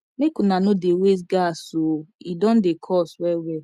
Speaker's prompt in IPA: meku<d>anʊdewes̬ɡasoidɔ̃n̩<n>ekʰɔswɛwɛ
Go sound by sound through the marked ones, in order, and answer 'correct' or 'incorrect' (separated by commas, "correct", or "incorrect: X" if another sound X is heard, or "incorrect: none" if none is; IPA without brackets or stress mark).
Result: incorrect: n, incorrect: d